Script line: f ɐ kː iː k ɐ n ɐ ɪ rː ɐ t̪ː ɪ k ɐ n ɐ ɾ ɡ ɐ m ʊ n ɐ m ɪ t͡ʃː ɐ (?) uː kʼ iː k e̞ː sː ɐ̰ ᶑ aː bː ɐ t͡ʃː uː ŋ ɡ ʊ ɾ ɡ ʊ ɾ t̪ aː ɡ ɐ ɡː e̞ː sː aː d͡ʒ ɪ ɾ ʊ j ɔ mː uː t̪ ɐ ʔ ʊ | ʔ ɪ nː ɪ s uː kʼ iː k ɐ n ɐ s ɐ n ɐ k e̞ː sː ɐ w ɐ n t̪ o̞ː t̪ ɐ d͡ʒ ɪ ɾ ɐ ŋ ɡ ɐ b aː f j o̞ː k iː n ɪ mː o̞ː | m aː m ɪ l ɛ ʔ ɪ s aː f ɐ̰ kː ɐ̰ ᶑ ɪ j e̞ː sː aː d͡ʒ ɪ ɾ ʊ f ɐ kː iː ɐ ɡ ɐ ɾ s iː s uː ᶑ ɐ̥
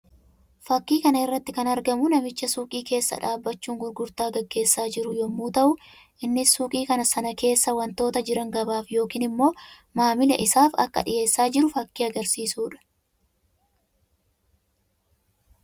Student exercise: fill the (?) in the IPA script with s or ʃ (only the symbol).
s